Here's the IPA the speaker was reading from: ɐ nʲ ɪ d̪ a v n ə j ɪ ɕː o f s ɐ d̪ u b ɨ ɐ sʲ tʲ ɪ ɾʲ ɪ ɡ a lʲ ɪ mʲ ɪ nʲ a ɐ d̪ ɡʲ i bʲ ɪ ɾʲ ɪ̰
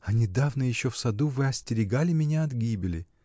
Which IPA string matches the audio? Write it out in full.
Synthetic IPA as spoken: ɐ nʲ ɪ d̪ a v n ə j ɪ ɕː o f s ɐ d̪ u v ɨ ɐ sʲ tʲ ɪ ɾʲ ɪ ɡ a lʲ ɪ mʲ ɪ nʲ a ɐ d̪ ɡʲ i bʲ ɪ lʲ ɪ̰

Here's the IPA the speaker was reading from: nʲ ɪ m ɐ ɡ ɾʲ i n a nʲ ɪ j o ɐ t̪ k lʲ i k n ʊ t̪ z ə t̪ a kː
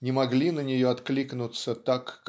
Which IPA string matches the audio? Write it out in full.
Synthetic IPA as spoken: nʲ ɪ m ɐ ɡ lʲ i n ə nʲ ɪ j o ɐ t̪ k lʲ i k n ʊ t̪ s ə t̪ a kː

